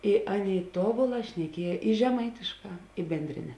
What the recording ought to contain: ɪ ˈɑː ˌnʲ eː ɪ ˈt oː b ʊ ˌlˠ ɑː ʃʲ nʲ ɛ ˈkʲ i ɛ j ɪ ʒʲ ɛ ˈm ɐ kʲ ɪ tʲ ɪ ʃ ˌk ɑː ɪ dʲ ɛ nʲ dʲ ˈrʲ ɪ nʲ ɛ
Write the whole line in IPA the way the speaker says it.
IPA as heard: ɪ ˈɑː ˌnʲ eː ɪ ˈt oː b ʊ ˌlˠ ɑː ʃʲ nʲ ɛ ˈkʲ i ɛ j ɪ ʒʲ ɛ ˈm ɐ ɪ tʲ ɪ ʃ ˌk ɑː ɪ bʲ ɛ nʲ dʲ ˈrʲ ɪ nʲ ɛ